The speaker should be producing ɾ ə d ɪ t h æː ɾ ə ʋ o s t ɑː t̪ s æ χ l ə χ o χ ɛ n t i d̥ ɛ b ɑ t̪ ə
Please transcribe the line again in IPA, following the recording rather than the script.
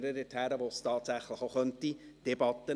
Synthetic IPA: ɾ ə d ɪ t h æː ɾ ə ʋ o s t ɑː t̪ s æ χ l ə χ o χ œ n t i d̥ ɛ b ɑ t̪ ə